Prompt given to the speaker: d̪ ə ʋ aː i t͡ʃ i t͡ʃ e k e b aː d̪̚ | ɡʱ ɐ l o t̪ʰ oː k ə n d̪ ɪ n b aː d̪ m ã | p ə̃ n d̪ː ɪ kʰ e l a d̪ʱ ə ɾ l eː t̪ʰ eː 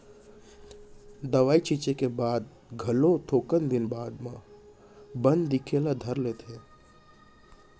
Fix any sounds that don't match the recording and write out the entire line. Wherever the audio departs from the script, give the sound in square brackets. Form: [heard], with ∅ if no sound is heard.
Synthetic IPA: d̪ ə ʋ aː i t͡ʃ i t͡ʃ e k e b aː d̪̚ | ɡʱ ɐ l o t̪ʰ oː k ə n d̪ ɪ n b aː d̪ m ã | [b] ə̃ n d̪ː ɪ kʰ e l a d̪ʱ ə ɾ l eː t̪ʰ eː